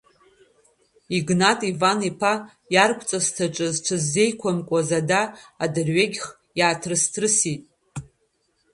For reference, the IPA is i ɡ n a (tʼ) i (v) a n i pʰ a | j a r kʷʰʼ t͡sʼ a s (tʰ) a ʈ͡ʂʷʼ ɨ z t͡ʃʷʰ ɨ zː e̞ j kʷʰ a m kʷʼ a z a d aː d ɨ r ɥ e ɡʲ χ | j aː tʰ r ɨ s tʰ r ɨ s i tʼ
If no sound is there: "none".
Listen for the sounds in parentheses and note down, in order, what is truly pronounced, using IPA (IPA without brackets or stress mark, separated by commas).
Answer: tʼ, v, tʰ